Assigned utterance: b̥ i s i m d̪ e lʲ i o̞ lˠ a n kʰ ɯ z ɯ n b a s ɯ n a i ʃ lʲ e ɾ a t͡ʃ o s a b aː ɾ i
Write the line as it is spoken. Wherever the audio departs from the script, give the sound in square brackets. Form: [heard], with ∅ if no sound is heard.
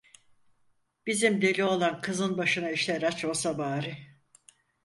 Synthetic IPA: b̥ i [z] i m d̪ e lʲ i o̞ lˠ a n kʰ ɯ z ɯ n b a [ʃ] ɯ n a i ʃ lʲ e ɾ a t͡ʃ o s a b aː ɾ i